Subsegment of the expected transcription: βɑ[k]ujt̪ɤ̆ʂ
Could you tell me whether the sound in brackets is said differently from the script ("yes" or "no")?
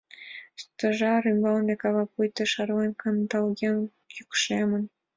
yes